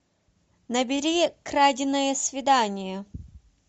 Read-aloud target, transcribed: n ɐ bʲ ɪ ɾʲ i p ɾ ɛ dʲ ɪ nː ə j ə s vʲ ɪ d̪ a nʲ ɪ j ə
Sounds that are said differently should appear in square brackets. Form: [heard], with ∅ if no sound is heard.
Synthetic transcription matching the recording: n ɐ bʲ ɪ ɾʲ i [k] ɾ [a] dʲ ɪ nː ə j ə s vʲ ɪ d̪ a nʲ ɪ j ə